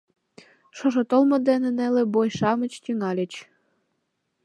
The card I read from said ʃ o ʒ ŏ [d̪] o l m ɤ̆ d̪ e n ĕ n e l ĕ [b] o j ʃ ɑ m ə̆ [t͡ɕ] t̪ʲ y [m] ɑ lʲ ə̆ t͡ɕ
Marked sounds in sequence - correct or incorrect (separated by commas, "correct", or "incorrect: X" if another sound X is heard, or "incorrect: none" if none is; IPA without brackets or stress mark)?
incorrect: t̪, correct, correct, incorrect: ŋ